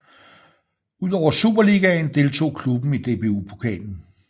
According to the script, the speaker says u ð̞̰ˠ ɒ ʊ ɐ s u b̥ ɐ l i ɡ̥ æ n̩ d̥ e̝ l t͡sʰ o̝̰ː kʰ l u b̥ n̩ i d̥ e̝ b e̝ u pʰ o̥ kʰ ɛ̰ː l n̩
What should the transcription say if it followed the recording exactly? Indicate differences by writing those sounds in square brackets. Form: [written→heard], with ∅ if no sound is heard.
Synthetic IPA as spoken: u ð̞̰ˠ ɒ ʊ ɐ s u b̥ ɐ l i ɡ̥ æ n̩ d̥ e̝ l t͡sʰ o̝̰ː kʰ l u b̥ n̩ i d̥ e̝ b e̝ u pʰ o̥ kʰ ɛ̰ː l n̩